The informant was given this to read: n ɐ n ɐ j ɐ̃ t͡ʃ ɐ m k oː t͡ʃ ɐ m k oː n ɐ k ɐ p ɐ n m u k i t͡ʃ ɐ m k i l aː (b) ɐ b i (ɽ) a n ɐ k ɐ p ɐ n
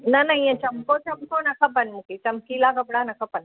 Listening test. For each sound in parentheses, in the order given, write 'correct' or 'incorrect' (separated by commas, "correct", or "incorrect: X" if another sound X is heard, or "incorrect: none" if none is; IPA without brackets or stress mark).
incorrect: ɡ, correct